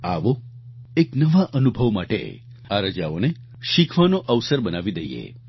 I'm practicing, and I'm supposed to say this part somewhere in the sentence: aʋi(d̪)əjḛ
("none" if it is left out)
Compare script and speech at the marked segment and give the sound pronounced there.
d̪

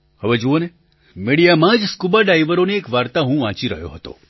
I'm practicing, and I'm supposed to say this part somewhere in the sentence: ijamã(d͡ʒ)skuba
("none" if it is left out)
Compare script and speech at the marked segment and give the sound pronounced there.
d͡ʒ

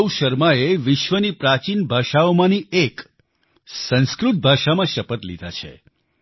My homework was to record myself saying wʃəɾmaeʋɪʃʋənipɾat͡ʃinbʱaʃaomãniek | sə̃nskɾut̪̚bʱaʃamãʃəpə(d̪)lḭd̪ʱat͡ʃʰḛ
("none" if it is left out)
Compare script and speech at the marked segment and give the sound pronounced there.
t̪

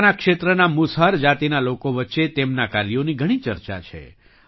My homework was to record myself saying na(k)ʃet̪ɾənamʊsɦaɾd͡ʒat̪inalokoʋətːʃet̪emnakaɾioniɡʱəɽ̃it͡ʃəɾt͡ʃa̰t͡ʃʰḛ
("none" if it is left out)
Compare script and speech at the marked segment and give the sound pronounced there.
k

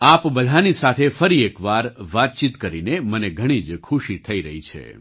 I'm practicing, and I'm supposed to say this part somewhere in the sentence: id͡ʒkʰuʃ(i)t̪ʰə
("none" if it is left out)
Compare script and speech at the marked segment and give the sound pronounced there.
i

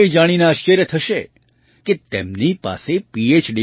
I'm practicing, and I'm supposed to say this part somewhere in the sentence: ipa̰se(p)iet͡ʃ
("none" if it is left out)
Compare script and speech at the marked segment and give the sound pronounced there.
p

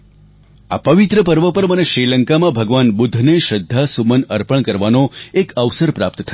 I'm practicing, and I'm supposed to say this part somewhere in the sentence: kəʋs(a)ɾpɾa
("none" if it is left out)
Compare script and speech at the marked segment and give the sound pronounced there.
ə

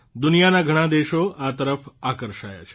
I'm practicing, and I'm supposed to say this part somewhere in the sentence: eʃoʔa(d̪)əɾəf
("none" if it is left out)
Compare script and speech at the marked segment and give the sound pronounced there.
t̪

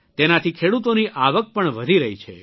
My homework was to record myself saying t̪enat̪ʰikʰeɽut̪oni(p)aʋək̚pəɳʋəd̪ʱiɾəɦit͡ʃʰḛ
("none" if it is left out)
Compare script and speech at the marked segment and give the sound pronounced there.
ʔ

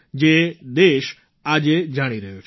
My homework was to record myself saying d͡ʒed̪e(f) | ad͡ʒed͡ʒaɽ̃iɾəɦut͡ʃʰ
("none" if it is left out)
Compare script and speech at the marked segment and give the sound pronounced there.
ʃ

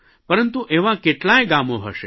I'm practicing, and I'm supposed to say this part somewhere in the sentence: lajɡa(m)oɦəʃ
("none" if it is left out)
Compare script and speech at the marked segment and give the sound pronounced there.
m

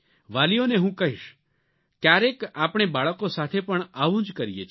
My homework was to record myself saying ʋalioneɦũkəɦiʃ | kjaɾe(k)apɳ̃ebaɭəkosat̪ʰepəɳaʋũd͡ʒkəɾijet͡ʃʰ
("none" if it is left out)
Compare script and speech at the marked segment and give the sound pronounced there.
k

